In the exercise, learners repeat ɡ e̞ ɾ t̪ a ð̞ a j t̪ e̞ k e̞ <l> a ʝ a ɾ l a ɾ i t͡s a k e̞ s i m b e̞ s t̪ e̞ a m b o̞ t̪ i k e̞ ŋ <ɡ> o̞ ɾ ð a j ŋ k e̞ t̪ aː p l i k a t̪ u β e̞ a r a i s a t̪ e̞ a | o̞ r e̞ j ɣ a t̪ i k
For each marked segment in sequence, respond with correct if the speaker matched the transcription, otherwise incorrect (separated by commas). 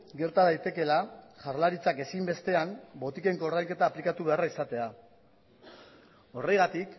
correct, incorrect